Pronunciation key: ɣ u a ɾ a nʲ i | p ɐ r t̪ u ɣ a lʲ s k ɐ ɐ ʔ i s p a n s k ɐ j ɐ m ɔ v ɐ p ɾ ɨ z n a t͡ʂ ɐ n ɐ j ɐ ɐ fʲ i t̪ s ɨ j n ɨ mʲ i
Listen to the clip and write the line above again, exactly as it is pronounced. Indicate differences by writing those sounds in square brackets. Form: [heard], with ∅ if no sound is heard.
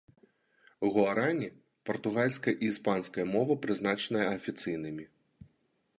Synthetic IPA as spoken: ɣ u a ɾ a nʲ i | p ɐ r t̪ u ɣ a lʲ s k ɐ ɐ ʔ i s p a n s k ɐ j ɐ m ɔ v ɐ p ɾ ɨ z n a t͡ʂ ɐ n ɐ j ɐ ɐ fʲ i t̪ s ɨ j n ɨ mʲ i